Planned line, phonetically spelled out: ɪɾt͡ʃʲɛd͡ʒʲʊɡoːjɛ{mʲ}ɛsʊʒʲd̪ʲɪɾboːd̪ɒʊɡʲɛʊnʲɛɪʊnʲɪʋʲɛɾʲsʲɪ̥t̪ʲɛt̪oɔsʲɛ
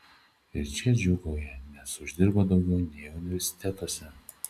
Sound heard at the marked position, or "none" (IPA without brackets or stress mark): nʲ